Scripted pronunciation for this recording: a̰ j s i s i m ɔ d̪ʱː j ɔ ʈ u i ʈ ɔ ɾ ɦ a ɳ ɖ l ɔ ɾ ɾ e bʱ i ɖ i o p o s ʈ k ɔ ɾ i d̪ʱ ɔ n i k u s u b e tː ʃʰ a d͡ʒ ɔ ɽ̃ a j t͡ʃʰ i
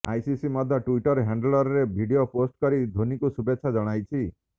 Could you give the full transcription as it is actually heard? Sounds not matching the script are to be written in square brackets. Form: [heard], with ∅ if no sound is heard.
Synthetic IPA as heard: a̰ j s i s i m ɔ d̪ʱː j ɔ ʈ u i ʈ ɔ ɾ ɦ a ɳ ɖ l ɔ ɾ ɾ e bʱ i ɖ i o p o s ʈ k ɔ ɾ i d̪ʱ [o] n i k u s u b e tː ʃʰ a d͡ʒ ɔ ɽ̃ a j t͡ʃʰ i